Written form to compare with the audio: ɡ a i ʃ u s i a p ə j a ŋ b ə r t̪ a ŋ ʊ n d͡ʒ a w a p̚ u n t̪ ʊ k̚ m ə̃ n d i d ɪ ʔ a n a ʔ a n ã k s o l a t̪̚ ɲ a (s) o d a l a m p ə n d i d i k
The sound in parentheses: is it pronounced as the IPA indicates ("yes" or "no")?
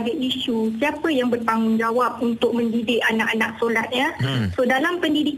yes